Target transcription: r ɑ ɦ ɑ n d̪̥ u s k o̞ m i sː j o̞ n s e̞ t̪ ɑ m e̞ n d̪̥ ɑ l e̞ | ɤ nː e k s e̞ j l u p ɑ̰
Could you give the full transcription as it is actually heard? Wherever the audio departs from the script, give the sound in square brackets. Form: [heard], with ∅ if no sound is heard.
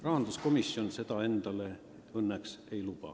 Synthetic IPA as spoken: r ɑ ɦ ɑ n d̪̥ u s k o̞ m i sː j o̞ n s e̞ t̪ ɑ [∅] e̞ n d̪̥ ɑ l e̞ | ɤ nː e k s e̞ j l u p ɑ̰